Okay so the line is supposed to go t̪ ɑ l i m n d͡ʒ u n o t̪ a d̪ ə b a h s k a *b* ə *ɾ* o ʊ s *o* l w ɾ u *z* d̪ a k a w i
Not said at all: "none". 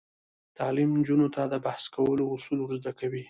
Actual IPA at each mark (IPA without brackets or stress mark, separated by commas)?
w, l, u, z